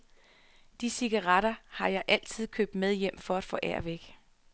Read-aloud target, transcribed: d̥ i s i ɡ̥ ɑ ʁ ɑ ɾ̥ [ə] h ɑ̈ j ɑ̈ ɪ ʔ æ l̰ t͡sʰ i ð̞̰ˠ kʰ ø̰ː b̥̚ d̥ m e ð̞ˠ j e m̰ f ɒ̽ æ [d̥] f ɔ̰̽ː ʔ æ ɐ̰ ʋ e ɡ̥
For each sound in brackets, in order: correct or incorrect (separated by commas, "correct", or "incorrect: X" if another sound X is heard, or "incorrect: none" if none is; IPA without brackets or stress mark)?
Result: incorrect: ɐ, correct